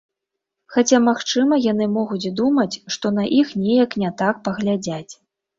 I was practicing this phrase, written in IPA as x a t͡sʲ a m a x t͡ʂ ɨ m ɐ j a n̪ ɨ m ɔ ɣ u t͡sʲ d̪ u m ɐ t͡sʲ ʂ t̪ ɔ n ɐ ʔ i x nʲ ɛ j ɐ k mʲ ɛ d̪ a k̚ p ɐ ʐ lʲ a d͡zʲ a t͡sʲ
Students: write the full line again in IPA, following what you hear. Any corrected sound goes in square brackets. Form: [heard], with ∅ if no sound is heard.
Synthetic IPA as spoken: x a t͡sʲ a m a x t͡ʂ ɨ m ɐ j a n̪ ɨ m ɔ ɣ u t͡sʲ d̪ u m ɐ t͡sʲ ʂ t̪ ɔ n ɐ ʔ i x nʲ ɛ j ɐ k [nʲ] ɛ [t̪] a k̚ p ɐ [ɣ] lʲ a d͡zʲ a t͡sʲ